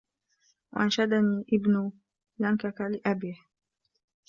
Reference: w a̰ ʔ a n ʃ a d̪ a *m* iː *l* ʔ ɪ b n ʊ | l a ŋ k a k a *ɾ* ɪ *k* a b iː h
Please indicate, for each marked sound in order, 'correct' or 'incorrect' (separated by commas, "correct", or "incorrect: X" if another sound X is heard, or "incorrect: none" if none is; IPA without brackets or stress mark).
incorrect: n, incorrect: none, incorrect: l, incorrect: ʔ